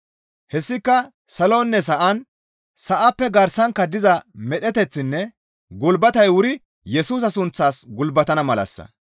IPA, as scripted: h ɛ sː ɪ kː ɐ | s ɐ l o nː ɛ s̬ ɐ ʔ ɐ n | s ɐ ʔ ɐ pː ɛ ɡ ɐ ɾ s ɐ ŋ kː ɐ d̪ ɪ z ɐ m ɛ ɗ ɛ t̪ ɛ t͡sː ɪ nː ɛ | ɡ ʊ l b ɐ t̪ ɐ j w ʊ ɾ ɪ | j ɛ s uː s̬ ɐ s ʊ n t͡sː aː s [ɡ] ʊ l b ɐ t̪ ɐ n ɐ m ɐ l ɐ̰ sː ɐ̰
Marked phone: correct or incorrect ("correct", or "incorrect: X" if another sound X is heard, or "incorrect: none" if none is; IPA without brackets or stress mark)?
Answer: correct